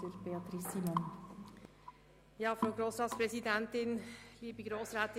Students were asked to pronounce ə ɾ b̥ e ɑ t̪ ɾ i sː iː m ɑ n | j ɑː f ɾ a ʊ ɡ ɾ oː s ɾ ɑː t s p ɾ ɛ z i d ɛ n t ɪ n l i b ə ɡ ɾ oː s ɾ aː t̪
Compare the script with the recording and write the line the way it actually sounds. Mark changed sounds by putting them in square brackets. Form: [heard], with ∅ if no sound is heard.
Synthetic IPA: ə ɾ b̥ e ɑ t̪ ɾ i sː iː m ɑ n | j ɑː f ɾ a ʊ ɡ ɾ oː s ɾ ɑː t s p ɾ ɛ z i d ɛ n t ɪ n l [iː] b ə ɡ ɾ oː s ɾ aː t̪